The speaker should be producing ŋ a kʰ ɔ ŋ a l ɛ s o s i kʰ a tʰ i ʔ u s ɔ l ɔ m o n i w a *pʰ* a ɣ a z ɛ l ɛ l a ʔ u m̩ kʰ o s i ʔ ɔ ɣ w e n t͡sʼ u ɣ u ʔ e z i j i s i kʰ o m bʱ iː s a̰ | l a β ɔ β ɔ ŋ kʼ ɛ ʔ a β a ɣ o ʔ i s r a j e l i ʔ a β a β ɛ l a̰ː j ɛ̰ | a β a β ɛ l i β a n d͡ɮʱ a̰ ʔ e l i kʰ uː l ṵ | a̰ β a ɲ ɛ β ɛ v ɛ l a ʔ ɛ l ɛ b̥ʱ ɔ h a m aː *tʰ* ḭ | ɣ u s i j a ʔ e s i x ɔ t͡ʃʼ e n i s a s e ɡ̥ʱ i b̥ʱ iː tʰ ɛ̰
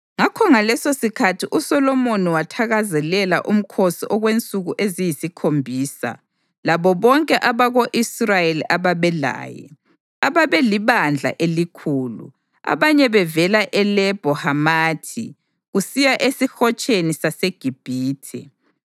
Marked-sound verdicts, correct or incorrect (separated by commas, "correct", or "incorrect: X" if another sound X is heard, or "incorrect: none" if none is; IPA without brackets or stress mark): incorrect: tʰ, correct